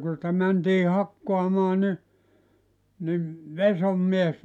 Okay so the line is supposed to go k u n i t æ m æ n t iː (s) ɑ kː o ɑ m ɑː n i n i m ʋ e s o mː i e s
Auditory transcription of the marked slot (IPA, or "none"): h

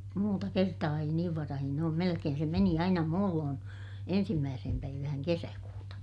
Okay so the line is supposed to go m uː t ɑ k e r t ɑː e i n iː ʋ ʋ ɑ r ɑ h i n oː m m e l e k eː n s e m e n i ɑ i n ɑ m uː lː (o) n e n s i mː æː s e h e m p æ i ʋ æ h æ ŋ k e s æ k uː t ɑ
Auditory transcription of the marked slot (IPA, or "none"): oː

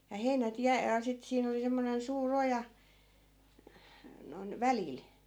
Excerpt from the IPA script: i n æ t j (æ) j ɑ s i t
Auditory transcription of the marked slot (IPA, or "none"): æ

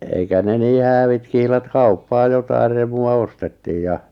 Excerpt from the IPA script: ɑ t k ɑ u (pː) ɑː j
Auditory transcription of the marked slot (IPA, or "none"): pː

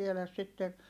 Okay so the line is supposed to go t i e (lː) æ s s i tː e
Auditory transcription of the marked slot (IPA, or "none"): l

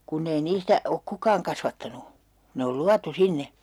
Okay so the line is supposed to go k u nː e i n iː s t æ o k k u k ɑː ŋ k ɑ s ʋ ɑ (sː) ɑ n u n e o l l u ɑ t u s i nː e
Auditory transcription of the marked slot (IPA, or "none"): tː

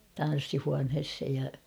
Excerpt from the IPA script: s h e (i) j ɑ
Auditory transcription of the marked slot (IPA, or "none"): j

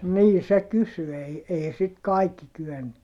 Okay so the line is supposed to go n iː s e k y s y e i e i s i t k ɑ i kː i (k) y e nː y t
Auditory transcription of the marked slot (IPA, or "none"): k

